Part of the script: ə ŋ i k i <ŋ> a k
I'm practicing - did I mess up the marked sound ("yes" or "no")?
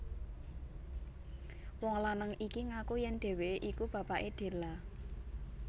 no